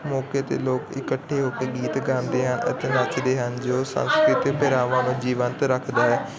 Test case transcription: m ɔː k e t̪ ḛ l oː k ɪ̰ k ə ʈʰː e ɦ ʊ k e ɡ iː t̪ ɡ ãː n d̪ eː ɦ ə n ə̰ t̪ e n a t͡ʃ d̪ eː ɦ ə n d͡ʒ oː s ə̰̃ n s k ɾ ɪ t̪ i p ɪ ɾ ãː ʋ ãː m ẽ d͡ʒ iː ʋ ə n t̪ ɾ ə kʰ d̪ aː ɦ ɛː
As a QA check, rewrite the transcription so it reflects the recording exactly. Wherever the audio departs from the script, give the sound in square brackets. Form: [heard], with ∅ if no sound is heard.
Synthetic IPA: m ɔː k e t̪ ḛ l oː k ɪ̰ k ə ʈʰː e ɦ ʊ k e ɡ iː t̪ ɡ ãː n d̪ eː ɦ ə n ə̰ t̪ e n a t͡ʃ d̪ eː ɦ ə n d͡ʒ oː s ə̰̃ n s k ɾ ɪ t̪ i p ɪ ɾ [aː] ʋ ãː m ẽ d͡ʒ iː ʋ ə n t̪ ɾ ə kʰ d̪ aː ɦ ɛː